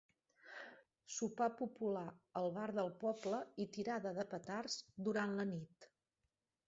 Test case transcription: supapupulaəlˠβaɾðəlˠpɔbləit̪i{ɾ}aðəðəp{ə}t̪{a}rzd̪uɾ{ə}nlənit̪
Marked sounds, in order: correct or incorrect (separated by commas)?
correct, correct, correct, incorrect